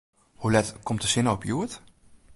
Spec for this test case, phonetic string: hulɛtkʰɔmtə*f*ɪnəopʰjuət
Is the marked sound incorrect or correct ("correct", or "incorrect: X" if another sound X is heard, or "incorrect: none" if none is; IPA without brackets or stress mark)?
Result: incorrect: s